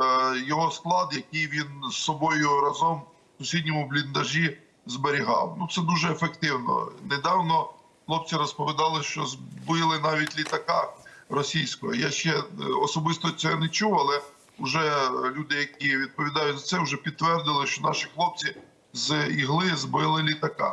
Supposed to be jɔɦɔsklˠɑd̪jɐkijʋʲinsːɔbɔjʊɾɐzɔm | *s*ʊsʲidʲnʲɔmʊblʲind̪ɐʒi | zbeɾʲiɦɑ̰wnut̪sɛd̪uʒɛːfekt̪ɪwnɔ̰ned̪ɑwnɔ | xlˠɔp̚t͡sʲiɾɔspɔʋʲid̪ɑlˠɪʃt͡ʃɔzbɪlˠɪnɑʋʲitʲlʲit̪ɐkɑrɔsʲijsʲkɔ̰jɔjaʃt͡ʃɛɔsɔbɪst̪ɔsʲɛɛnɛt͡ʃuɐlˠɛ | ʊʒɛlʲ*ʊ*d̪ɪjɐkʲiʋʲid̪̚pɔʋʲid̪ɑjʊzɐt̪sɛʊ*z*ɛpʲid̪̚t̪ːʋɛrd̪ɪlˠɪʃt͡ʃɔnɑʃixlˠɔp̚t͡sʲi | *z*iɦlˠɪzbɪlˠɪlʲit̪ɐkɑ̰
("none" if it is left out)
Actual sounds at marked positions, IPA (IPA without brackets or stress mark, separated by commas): s, u, ʒ, z